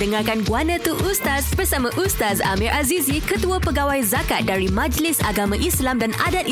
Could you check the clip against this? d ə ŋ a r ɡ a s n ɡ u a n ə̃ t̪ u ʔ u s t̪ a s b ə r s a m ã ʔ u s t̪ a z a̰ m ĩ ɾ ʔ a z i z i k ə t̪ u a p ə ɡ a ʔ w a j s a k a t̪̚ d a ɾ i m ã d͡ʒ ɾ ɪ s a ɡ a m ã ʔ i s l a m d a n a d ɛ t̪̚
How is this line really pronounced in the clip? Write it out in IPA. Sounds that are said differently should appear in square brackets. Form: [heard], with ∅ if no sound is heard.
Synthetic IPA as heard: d ə ŋ a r [k] a [∅] n ɡ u a n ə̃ t̪ u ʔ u s t̪ a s b ə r s a m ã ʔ u s t̪ a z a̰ m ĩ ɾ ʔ a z i z i k ə t̪ u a p ə ɡ a [∅] w a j [z] a k a t̪̚ d a ɾ i m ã d͡ʒ [l] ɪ s a ɡ a m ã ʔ i s l a m d a n a d [a] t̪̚